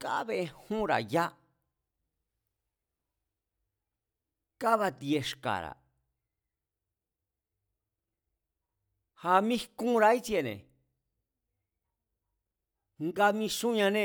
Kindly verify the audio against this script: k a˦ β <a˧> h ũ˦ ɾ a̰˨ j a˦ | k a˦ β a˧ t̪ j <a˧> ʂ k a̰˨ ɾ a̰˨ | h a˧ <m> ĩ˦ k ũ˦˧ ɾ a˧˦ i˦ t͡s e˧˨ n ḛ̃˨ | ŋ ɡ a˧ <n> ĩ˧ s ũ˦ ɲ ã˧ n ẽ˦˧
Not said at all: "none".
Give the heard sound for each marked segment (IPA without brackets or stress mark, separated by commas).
e˧, e˧, m, m